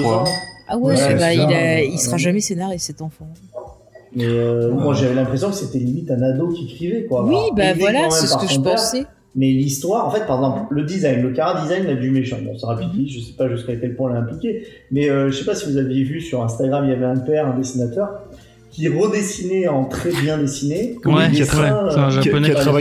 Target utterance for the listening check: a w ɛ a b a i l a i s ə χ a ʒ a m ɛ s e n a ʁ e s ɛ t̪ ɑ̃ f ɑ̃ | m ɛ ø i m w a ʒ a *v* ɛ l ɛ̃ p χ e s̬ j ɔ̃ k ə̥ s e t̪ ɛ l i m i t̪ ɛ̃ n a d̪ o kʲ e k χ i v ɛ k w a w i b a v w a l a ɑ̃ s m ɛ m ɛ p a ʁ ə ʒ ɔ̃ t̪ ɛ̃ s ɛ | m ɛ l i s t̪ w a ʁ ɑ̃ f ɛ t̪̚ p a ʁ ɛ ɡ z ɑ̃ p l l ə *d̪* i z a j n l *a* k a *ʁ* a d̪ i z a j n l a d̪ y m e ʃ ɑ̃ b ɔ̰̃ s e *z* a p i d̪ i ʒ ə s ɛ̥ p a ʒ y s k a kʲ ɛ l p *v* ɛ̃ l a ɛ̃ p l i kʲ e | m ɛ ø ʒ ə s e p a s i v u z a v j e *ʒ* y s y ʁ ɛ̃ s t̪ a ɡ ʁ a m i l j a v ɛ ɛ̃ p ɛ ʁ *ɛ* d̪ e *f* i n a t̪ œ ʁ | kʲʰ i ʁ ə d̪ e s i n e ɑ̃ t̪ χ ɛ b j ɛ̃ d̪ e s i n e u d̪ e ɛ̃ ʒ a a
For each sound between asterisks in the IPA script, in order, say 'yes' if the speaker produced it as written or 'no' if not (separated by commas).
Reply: yes, yes, no, yes, no, no, no, no, no